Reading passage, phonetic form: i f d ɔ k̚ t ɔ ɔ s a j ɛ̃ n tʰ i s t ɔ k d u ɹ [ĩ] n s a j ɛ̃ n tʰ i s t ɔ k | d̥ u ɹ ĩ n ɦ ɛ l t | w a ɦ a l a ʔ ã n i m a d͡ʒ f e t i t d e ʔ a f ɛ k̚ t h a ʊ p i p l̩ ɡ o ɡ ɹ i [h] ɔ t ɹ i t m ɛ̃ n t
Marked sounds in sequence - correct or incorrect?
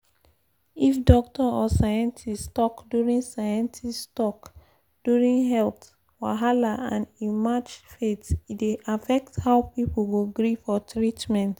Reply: correct, incorrect: f

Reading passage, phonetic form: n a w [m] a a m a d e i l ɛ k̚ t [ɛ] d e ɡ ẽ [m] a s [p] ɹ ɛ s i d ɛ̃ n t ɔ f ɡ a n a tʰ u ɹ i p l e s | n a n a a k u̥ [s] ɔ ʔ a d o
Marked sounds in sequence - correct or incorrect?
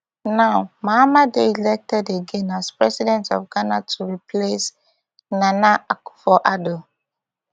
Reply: correct, correct, incorrect: n, correct, incorrect: f

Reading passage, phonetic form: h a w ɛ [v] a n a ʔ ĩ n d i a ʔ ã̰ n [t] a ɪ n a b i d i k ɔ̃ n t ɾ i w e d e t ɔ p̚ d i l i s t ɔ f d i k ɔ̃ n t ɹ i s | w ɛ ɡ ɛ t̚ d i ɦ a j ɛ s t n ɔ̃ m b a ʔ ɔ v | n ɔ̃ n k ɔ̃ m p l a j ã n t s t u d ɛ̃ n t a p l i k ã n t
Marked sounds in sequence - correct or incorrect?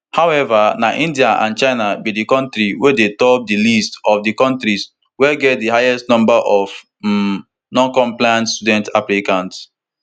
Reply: correct, incorrect: t͡ʃ

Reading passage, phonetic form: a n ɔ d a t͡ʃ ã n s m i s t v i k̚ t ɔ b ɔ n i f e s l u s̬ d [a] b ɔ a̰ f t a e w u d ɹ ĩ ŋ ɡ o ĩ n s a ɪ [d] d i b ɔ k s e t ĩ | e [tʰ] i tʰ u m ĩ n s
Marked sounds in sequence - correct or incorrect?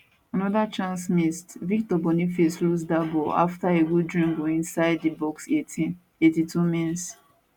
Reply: correct, correct, incorrect: t

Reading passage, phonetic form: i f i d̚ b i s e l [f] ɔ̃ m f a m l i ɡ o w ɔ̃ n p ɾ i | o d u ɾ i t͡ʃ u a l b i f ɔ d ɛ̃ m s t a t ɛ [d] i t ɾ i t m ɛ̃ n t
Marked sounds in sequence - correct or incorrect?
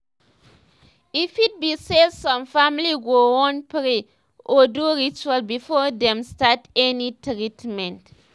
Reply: incorrect: s, incorrect: n

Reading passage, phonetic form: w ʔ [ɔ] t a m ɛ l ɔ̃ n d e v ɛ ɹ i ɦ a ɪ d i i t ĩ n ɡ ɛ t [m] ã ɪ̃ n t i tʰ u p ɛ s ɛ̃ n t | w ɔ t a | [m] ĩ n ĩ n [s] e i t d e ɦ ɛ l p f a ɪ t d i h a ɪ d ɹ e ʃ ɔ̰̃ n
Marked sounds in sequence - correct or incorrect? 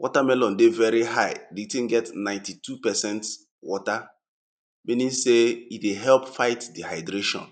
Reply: correct, incorrect: n, correct, correct

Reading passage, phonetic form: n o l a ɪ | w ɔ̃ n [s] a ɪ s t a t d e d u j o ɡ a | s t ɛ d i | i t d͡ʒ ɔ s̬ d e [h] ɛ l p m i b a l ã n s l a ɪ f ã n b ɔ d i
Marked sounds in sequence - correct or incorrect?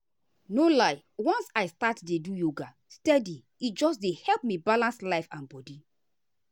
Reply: correct, correct

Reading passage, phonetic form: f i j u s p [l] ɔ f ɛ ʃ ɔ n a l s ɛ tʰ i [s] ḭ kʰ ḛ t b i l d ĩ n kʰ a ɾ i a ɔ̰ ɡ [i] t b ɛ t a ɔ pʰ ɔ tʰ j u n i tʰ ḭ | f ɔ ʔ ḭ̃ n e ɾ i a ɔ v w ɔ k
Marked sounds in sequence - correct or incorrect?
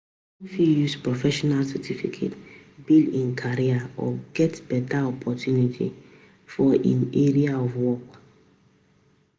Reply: incorrect: ɹ, incorrect: f, incorrect: ɛ

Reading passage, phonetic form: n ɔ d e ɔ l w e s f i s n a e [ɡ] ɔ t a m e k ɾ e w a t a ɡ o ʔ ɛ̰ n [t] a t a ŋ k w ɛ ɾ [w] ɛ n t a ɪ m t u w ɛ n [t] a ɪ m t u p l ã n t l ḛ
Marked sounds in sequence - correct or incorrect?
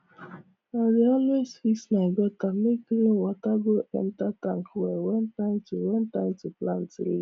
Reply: correct, correct, correct, correct

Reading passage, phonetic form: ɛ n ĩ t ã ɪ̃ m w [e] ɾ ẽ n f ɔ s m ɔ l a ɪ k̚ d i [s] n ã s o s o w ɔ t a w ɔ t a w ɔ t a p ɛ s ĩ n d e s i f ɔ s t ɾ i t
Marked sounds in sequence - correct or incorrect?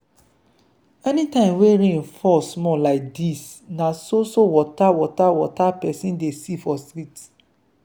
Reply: correct, correct

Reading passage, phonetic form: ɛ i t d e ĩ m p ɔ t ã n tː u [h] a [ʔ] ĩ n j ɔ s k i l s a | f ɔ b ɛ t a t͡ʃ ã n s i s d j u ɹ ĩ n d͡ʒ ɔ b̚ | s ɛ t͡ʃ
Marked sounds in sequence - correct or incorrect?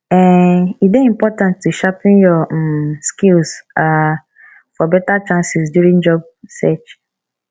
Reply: incorrect: ʃ, incorrect: p

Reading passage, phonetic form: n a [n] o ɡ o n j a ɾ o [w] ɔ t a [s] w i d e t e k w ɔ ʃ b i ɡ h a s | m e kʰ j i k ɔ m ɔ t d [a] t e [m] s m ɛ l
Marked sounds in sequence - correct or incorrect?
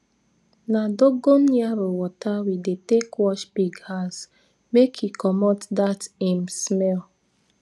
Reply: incorrect: d, correct, incorrect: none, correct, correct

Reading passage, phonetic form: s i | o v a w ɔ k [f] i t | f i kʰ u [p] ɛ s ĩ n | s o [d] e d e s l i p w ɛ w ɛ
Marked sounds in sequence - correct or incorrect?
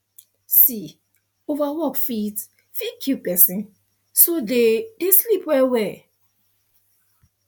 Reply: correct, correct, correct

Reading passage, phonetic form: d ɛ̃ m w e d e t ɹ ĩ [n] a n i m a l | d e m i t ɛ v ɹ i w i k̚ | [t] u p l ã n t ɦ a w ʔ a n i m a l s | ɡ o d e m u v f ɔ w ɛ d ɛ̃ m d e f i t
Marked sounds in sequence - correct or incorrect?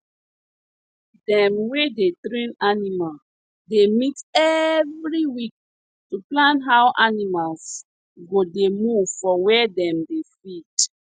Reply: correct, correct

